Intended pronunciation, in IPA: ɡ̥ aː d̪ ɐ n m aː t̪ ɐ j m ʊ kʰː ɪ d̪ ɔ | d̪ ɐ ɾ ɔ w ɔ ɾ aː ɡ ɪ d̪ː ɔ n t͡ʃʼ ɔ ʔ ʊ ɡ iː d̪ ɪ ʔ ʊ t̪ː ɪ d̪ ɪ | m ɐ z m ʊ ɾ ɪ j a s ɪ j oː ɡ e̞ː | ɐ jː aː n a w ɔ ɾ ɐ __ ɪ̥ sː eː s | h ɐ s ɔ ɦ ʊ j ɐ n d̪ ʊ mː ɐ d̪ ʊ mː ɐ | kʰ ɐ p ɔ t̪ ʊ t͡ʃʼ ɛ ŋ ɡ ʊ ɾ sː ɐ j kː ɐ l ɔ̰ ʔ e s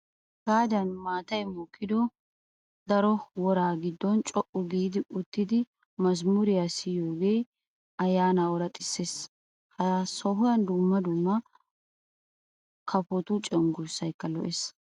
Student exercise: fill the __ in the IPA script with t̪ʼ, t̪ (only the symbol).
t̪ʼ